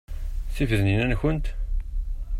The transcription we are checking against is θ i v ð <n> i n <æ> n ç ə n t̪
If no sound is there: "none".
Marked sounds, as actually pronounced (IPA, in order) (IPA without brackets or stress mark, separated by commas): n, æ